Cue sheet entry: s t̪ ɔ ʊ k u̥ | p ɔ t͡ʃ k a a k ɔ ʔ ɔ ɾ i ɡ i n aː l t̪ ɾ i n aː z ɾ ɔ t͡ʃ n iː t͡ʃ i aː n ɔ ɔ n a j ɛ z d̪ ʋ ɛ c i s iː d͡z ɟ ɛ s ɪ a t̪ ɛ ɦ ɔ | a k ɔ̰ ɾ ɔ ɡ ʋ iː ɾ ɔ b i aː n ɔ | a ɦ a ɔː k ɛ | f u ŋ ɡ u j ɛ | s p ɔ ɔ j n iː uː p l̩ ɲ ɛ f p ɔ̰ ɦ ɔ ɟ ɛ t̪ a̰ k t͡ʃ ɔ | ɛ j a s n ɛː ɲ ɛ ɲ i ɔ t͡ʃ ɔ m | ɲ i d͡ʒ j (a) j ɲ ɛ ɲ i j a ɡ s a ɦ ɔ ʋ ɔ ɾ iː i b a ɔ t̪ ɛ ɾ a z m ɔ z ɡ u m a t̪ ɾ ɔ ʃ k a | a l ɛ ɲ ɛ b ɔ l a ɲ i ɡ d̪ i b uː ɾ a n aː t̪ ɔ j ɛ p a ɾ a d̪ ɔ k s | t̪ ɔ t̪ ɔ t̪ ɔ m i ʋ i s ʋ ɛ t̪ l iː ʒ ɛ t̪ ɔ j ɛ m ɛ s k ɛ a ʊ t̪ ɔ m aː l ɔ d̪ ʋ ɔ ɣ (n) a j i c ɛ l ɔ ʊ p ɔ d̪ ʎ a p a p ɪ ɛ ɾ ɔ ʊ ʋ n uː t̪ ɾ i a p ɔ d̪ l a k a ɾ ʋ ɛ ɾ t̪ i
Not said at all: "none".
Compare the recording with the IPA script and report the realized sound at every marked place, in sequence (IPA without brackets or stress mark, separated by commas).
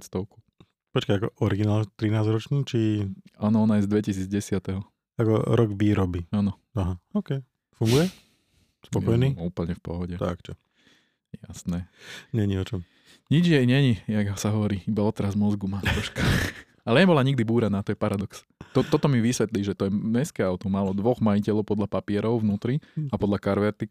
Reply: ɛ, m